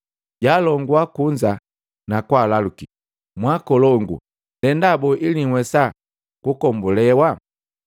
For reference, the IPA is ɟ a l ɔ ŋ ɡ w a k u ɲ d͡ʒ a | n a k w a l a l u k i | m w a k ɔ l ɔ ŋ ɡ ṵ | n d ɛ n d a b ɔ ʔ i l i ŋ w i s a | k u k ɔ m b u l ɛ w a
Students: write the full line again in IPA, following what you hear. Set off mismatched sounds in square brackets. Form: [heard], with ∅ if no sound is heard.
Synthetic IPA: ɟ a l ɔ ŋ ɡ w a k u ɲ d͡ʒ a | n a k w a l a l u k i | m w a k ɔ l ɔ ŋ ɡ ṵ | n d ɛ n d a b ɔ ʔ i l i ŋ w [ɛ] s a | k u k ɔ m b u l ɛ w a